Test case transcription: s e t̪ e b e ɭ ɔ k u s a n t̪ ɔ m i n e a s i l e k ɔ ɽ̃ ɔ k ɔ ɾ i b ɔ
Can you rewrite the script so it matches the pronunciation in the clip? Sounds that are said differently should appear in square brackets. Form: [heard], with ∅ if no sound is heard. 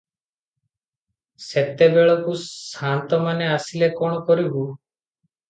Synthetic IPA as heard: s e t̪ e b e ɭ ɔ k u s a n t̪ ɔ m [a] n e a s i l e k ɔ ɽ̃ ɔ k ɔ ɾ i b [u]